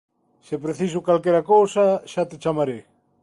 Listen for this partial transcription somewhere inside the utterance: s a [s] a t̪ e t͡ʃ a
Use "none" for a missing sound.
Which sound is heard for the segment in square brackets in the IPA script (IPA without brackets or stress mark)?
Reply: ʃ